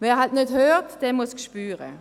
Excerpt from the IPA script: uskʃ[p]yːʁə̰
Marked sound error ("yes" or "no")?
no